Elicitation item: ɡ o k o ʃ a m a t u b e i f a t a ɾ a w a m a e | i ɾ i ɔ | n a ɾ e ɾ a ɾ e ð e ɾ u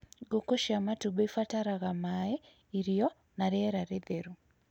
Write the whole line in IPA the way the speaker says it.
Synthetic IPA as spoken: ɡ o k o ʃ a m a t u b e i f a t a ɾ a ɣ a m a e | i ɾ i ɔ | n a ɾ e ɾ a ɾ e ð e ɾ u